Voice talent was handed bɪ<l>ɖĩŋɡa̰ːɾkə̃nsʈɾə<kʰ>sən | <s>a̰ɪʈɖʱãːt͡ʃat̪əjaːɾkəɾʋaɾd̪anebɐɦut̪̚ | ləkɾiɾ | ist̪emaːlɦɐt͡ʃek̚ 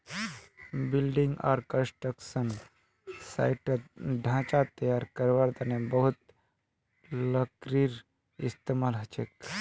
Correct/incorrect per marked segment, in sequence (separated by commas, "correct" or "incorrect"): correct, incorrect, correct